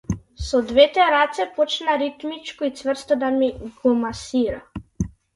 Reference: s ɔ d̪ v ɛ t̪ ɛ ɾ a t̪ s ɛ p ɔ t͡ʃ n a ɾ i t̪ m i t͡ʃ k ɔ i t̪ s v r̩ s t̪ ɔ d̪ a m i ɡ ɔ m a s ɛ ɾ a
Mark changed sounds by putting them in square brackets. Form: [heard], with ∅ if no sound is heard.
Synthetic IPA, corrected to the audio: s ɔ d̪ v ɛ t̪ ɛ ɾ a t̪ s ɛ p ɔ t͡ʃ n a ɾ i t̪ m i t͡ʃ k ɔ i t̪ s v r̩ s t̪ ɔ d̪ a m i ɡ ɔ m a s [i] ɾ a